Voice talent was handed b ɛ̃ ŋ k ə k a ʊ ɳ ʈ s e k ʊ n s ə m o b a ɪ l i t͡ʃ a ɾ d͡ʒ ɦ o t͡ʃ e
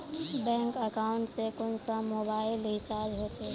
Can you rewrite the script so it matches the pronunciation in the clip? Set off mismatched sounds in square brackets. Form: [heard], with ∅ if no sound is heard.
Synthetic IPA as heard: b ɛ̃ ŋ k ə k a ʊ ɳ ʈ s e k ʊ n s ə m o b a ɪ l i t͡ʃ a ɾ d͡ʒ ɦ o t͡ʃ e

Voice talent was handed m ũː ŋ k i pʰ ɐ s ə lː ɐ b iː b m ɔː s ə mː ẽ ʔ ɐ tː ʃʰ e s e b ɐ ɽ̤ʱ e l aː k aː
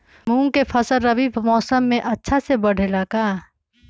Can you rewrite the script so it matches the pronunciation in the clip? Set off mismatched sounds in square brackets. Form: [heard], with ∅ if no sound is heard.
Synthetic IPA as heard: m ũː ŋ k [e] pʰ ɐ s ə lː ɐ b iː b m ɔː s ə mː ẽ ʔ ɐ tː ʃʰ [a] s e b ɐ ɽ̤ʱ e l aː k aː

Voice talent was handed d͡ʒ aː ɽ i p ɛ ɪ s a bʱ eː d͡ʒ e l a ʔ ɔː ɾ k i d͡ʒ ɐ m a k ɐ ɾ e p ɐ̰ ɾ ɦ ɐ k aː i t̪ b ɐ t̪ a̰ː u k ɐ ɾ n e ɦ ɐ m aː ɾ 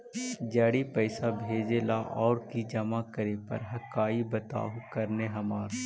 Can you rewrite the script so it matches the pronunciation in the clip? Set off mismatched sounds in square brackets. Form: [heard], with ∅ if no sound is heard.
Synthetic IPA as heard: d͡ʒ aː ɽ i p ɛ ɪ s a bʱ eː d͡ʒ e l a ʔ ɔː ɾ k i d͡ʒ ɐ m a k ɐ ɾ e p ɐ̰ ɾ ɦ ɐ k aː i [∅] b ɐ t̪ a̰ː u k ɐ ɾ n e ɦ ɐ m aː ɾ

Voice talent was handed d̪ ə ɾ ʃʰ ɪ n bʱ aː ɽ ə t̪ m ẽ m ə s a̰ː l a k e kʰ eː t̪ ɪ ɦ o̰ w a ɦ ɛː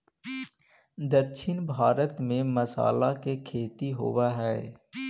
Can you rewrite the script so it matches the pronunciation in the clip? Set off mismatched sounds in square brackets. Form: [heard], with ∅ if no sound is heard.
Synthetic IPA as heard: d̪ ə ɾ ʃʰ ɪ n bʱ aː [ɾ] ə t̪ m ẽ m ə s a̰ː l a k e kʰ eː t̪ [i] ɦ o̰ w a ɦ ɛː

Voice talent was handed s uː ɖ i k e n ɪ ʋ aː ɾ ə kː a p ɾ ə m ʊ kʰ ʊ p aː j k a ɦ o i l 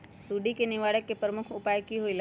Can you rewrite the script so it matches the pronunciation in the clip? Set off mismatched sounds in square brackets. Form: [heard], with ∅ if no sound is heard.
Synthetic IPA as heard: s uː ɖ i k e n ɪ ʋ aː [ɽ] ə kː [e] p ɾ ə m ʊ kʰ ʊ p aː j k [i] ɦ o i l

